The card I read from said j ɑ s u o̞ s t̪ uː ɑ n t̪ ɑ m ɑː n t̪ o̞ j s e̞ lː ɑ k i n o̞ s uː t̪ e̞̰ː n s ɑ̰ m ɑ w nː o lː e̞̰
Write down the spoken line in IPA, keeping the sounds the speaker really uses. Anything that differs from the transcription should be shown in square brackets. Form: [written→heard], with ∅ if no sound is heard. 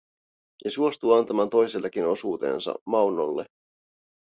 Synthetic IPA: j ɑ s u o̞ s t̪ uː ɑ n t̪ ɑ m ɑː n t̪ o̞ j s e̞ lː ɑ k i n o̞ s uː t̪ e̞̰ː n s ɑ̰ m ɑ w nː o lː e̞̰